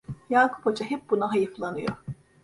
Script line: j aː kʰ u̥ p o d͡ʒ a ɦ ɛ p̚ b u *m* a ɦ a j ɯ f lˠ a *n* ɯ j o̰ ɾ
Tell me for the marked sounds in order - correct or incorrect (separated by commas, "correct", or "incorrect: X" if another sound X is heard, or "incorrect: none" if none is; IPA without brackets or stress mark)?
incorrect: n, correct